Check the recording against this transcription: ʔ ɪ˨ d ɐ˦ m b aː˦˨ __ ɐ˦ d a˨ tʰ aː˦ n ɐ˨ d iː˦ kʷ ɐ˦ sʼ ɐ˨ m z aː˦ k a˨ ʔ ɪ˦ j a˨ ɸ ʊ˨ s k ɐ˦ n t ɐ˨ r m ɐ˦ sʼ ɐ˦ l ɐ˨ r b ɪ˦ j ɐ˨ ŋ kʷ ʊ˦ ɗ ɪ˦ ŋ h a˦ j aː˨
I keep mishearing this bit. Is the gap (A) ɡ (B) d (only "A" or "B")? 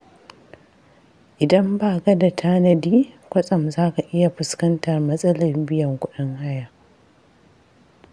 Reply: A